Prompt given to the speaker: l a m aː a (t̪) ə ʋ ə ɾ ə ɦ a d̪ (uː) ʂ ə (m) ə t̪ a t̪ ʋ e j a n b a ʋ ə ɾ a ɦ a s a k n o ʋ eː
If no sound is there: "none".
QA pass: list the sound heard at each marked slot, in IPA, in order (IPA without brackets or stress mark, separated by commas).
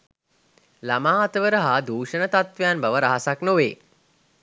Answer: t̪, uː, n